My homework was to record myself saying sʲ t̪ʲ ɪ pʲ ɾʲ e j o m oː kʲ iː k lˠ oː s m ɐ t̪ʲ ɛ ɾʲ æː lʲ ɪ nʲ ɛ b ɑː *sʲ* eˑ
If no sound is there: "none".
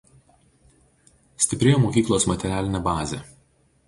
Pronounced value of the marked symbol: zʲ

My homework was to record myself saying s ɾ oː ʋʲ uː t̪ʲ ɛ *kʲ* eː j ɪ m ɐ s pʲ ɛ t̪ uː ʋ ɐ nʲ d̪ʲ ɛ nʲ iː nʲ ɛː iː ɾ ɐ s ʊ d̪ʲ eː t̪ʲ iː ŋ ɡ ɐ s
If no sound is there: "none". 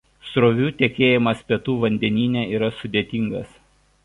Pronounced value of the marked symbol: kʲ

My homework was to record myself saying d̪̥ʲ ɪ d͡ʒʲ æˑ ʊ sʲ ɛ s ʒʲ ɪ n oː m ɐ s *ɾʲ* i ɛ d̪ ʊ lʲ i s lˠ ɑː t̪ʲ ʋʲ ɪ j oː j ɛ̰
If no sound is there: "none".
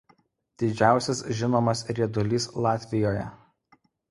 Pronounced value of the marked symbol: ɾʲ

